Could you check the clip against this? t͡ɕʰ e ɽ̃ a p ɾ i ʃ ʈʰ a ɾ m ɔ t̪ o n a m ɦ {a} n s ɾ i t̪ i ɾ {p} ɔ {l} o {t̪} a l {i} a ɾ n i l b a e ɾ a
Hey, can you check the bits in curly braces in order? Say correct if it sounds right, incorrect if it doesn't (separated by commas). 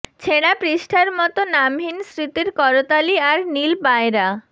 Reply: incorrect, incorrect, incorrect, correct, correct